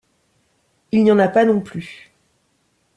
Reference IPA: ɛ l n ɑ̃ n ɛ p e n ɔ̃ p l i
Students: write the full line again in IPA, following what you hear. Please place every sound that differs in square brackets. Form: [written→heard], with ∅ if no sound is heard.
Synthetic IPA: [ɛ→i] l n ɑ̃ n [ɛ→a] p [e→a] n ɔ̃ p l [i→y]

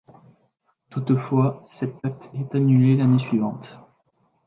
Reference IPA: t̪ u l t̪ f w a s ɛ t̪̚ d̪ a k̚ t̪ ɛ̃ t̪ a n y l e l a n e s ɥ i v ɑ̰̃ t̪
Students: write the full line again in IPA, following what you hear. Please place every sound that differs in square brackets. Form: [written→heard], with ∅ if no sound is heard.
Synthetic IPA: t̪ u [l→∅] t̪ f w a s ɛ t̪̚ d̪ a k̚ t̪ [ɛ̃→ɛ] t̪ a n y l e l a n e s ɥ i v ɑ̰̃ t̪

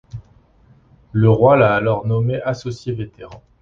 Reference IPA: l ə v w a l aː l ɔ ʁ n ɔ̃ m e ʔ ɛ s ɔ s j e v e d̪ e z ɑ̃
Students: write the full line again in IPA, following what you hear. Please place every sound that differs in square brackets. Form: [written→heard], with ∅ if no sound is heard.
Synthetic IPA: l ə [v→ʁ] w a l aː l ɔ ʁ n [ɔ̃→ɔ] m e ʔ [ɛ→a] s ɔ s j e v e [d̪→t̪] e [z→ʁ] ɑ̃

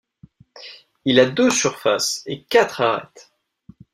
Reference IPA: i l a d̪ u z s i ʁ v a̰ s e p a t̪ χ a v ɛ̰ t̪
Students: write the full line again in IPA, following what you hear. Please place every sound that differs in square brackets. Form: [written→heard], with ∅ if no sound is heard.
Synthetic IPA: i l a d̪ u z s [i→y] ʁ [v→f] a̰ s e [p→k] a t̪ χ a [v→ʁ] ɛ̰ t̪

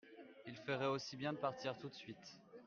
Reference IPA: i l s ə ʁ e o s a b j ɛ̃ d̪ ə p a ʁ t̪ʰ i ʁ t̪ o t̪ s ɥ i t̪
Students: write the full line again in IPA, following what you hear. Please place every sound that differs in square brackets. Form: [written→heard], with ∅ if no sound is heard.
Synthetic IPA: i l [s→f] ə ʁ [e→ɛ] o s [a→i] b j ɛ̃ d̪ ə p a ʁ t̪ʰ i ʁ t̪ [o→u] t̪ s ɥ i t̪

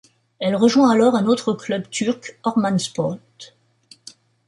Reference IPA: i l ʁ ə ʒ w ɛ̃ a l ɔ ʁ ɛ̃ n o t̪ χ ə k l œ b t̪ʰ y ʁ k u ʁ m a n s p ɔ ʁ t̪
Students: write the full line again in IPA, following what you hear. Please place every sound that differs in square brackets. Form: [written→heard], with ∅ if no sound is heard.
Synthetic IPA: [i→ɛ] l ʁ ə ʒ w ɛ̃ a l ɔ ʁ ɛ̃ n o t̪ χ ə k l œ b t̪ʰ y ʁ k [u→ɔ] ʁ m a n s p ɔ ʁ t̪

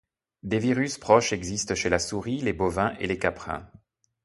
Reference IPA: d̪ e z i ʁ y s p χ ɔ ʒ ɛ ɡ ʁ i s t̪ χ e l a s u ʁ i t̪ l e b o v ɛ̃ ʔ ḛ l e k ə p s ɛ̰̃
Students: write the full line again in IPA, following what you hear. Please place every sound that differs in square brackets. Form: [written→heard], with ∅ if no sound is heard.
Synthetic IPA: d̪ e [z→v] i ʁ y s p χ ɔ [ʒ→ʃ] ɛ ɡ [ʁ→z] i s t̪ [χ→ʃ] e l a s u ʁ i [t̪→∅] l e b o v ɛ̃ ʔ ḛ l e k [ə→a] p [s→χ] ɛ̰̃

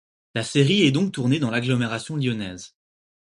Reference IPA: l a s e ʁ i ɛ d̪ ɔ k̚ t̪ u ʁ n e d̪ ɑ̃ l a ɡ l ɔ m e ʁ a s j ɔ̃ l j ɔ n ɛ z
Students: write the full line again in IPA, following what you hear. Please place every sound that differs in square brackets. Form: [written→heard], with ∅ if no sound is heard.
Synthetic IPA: l a s e ʁ i ɛ d̪ [ɔ→ɔ̃] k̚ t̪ u ʁ n e d̪ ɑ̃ l a ɡ l ɔ m e ʁ a s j ɔ̃ l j ɔ n ɛ z

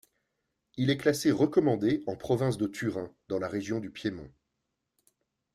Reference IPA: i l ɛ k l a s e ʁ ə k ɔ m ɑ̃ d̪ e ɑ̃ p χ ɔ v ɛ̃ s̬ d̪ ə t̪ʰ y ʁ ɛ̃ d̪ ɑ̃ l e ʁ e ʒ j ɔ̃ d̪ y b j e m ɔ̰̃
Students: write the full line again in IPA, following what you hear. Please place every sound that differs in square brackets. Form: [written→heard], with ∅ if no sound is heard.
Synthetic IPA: i l ɛ k l a s e ʁ ə k ɔ m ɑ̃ d̪ e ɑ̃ p χ ɔ v ɛ̃ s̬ d̪ ə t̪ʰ y ʁ ɛ̃ d̪ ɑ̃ l [e→a] ʁ e ʒ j ɔ̃ d̪ y [b→p] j e m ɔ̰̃

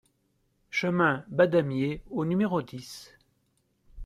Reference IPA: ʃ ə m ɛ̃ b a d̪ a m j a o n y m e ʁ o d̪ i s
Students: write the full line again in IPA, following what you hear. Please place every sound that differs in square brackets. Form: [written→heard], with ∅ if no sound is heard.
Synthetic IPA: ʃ ə m ɛ̃ b a d̪ a m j [a→e] o n y m e ʁ o d̪ i s

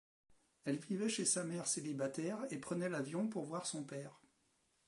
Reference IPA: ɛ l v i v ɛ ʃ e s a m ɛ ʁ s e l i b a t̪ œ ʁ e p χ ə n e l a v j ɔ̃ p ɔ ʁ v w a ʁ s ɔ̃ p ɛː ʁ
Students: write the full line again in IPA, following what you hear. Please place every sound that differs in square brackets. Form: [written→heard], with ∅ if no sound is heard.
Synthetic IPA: ɛ l v i v ɛ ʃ e s a m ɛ ʁ s e l i b a t̪ [œ→ɛ] ʁ e p χ ə n [e→ɛ] l a v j ɔ̃ p [ɔ→u] ʁ v w a ʁ s ɔ̃ p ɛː ʁ

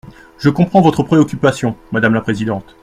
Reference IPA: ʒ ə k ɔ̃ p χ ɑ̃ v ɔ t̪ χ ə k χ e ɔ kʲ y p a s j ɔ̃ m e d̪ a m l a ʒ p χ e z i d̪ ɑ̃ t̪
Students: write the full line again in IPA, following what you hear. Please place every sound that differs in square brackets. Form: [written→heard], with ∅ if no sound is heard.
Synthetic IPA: ʒ ə k ɔ̃ p χ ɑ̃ v ɔ t̪ χ ə [k→p] χ e ɔ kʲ y p a s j ɔ̃ m [e→a] d̪ a m l a [ʒ→∅] p χ e z i d̪ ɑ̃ t̪

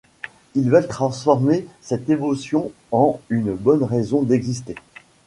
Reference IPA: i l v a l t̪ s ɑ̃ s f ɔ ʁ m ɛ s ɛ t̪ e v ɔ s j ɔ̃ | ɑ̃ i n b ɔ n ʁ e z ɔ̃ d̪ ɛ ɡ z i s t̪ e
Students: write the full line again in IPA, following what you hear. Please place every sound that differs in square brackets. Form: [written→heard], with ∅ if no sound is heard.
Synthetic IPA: i l v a l t̪ [s→χ] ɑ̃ s f ɔ ʁ m [ɛ→e] s ɛ t̪ e v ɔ s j ɔ̃ | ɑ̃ [i→y] n b ɔ n ʁ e z ɔ̃ d̪ ɛ ɡ z i s t̪ e

